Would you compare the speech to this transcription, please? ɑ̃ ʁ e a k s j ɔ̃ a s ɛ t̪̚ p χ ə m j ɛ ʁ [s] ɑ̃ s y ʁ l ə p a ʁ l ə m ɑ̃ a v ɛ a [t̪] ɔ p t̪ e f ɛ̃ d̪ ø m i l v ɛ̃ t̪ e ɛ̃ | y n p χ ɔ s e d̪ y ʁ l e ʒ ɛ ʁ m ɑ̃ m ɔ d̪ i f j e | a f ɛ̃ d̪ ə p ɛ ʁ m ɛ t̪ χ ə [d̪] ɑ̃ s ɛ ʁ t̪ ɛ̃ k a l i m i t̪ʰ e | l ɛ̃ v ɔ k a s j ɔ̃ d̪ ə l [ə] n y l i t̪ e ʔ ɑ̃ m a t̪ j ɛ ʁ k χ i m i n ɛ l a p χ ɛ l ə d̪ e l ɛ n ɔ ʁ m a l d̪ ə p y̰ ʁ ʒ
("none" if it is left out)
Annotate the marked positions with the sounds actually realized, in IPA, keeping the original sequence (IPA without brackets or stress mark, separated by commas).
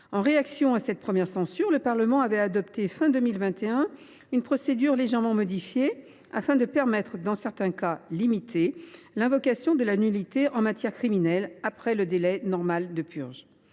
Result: s, d̪, d̪, a